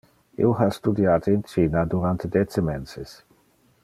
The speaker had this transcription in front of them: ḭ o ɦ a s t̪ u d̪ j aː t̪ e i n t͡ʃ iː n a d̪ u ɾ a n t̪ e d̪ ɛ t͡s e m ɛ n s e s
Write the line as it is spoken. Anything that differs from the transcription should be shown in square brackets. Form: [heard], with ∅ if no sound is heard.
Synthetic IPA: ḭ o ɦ a s t̪ u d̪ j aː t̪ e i n t͡ʃ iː n a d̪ u ɾ a n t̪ e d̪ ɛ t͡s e m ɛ n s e s